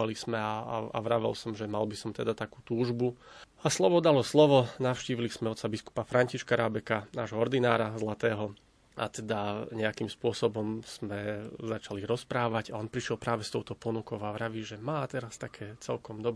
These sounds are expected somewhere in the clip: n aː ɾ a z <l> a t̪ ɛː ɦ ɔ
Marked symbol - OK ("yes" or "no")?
yes